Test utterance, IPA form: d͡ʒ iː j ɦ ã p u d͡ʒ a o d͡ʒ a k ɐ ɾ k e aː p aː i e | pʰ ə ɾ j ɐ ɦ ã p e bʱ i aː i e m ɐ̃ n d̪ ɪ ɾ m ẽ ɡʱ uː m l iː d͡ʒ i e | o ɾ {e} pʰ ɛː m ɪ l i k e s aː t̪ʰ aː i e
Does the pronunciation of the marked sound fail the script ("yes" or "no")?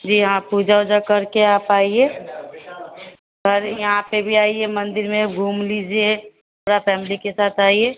yes